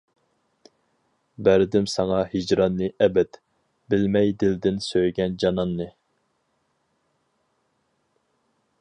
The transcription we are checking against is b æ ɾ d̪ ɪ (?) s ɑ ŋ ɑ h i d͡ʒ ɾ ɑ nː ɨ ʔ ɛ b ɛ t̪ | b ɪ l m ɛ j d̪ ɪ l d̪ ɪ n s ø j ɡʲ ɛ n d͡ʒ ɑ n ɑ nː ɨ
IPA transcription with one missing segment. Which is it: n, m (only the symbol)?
m